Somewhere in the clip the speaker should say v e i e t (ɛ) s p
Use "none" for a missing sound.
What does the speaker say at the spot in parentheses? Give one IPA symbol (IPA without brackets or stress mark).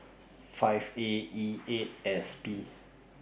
ɛ